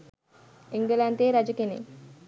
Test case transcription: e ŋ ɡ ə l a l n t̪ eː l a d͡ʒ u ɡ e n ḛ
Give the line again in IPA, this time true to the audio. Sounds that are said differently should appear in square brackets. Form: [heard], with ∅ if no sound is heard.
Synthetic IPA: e ŋ ɡ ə l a [∅] n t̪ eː [ɾ] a d͡ʒ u [k] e n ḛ